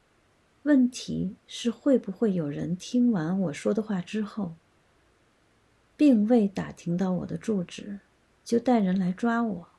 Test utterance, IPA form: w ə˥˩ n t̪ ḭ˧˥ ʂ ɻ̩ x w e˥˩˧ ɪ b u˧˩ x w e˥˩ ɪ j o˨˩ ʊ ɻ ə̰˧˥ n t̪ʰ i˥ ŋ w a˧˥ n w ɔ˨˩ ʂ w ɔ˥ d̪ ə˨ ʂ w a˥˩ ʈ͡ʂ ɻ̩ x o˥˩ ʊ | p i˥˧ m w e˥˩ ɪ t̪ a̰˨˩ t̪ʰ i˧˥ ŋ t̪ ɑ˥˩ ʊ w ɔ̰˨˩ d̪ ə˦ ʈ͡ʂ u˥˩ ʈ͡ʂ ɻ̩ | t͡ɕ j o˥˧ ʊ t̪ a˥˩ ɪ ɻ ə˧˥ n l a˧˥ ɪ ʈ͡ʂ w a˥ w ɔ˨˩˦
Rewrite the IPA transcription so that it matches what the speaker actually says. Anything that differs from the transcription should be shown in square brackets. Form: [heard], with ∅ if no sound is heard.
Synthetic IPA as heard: w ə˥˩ n [t̪ʰ] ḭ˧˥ ʂ ɻ̩ x w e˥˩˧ ɪ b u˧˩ x w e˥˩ ɪ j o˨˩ ʊ ɻ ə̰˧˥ n t̪ʰ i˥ ŋ w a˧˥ n w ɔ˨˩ ʂ w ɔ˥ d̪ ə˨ [x] w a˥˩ ʈ͡ʂ ɻ̩ x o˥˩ ʊ | p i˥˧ [ŋ] w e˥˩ ɪ t̪ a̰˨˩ t̪ʰ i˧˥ ŋ t̪ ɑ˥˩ ʊ w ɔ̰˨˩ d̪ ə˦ ʈ͡ʂ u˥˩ ʈ͡ʂ ɻ̩ | t͡ɕ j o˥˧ ʊ t̪ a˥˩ ɪ ɻ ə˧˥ n l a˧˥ ɪ ʈ͡ʂ w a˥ w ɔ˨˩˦

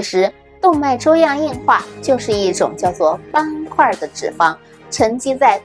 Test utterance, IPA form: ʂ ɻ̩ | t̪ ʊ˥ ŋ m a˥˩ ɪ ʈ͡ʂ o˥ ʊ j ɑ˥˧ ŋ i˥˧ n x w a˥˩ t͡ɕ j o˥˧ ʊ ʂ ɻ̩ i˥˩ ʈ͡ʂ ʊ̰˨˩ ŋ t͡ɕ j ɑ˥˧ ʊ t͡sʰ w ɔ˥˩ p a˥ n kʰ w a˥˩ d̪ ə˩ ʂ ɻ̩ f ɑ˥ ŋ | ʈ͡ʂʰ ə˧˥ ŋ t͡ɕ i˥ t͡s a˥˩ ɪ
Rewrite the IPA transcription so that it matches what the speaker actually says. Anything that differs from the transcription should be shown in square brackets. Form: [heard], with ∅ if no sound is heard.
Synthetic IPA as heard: ʂ ɻ̩ | t̪ [ʊ˥˧] ŋ m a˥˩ ɪ ʈ͡ʂ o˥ ʊ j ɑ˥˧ ŋ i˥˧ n x w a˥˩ t͡ɕ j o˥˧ ʊ ʂ ɻ̩ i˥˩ ʈ͡ʂ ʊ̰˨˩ ŋ t͡ɕ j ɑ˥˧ ʊ [t͡s] w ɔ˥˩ p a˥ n kʰ w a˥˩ d̪ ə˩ [ʈ͡ʂ] ɻ̩ f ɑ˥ ŋ | ʈ͡ʂʰ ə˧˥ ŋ t͡ɕ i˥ t͡s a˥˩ ɪ

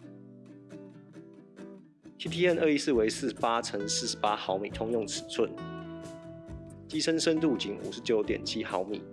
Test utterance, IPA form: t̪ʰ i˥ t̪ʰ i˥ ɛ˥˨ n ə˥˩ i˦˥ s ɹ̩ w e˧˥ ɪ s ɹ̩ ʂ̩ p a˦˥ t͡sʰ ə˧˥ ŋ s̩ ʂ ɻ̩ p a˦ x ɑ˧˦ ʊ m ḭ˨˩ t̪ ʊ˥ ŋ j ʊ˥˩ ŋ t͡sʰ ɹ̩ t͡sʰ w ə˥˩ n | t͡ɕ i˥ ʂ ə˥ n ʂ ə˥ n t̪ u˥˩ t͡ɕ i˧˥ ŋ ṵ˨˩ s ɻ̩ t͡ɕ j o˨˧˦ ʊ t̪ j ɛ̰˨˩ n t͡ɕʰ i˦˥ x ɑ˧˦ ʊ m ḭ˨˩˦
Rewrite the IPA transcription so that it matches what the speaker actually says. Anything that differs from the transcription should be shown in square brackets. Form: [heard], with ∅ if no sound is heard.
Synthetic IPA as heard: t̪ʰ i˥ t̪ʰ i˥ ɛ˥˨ n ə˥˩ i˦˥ s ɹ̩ w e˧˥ ɪ s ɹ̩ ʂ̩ p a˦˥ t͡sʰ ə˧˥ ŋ s̩ ʂ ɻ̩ p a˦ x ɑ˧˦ ʊ m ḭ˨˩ [t̪ʰ] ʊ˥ ŋ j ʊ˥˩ ŋ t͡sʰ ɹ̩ t͡sʰ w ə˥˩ n | t͡ɕ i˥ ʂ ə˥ n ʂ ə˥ n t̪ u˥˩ t͡ɕ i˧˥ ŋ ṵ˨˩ [ʂ] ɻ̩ t͡ɕ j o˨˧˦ ʊ t̪ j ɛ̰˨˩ n t͡ɕʰ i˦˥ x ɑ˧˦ ʊ m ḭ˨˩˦

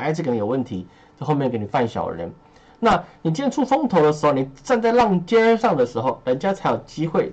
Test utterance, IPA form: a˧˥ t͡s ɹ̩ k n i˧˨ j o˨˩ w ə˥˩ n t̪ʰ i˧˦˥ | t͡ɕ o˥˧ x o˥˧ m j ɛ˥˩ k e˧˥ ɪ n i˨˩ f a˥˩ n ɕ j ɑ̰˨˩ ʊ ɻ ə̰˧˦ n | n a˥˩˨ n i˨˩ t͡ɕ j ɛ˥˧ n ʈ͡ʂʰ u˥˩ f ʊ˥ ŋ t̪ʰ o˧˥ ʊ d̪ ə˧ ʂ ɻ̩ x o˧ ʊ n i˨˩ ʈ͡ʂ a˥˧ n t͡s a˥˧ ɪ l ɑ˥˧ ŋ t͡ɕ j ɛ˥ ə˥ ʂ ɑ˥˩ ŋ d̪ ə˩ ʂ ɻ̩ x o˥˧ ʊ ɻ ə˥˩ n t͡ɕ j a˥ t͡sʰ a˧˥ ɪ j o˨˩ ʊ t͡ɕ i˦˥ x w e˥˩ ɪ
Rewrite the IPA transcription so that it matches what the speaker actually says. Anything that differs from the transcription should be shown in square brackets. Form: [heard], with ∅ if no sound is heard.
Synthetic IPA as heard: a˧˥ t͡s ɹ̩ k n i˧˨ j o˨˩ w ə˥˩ n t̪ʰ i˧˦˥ | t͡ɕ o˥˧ x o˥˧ m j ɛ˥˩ k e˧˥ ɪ n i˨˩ f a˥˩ n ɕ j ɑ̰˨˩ ʊ ɻ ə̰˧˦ n | n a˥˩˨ n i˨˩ t͡ɕ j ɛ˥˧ n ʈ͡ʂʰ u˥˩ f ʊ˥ ŋ t̪ʰ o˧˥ ʊ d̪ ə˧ ʂ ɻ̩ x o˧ ʊ n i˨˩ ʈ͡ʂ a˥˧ n t͡s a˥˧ ɪ l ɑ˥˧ ŋ t͡ɕ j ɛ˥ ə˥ ʂ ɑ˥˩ ŋ d̪ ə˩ ʂ ɻ̩ x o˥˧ ʊ ɻ [ə˧˦˥] n t͡ɕ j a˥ t͡sʰ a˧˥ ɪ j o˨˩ ʊ t͡ɕ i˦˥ x w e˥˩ ɪ

